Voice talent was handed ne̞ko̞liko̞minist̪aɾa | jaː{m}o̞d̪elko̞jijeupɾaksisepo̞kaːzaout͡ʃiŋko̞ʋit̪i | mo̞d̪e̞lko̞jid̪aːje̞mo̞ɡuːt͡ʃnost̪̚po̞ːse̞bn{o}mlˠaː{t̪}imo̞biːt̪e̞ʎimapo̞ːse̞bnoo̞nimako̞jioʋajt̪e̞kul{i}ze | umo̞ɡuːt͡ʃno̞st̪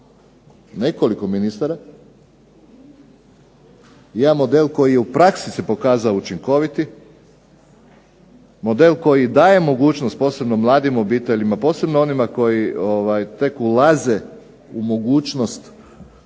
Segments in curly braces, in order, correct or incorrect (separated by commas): correct, correct, incorrect, incorrect